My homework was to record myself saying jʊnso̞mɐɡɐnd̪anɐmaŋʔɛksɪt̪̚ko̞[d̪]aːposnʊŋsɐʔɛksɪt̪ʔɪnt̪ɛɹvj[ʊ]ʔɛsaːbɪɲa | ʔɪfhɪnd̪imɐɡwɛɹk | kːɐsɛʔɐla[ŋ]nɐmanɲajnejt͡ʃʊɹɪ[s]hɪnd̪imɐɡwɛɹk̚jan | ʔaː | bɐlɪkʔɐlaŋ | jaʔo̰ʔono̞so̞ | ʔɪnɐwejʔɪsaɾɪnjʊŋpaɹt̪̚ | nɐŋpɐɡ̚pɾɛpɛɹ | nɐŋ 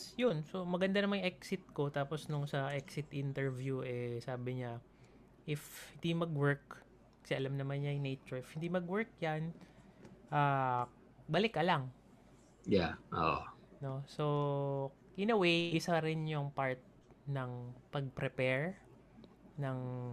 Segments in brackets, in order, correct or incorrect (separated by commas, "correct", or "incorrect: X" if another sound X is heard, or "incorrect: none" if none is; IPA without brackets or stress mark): incorrect: t̪, incorrect: u, incorrect: m, incorrect: f